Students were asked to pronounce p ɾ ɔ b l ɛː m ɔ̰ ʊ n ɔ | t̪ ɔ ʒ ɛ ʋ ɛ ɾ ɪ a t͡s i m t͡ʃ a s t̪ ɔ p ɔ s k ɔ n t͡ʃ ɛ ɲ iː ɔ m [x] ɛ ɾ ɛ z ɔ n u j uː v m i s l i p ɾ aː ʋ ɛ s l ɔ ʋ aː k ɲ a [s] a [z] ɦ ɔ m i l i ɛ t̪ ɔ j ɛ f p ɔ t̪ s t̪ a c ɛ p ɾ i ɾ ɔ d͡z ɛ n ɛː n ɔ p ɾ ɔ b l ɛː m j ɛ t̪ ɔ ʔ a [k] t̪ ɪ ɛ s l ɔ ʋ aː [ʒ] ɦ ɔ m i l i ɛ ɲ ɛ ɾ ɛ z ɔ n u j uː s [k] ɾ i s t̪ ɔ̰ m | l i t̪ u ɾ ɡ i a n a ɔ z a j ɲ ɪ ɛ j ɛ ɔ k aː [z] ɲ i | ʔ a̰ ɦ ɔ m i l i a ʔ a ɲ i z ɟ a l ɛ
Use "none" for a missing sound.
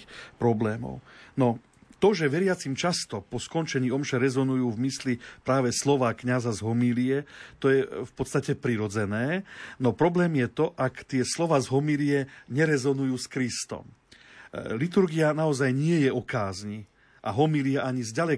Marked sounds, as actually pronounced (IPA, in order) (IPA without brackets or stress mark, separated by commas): ʃ, z, z, k, z, k, z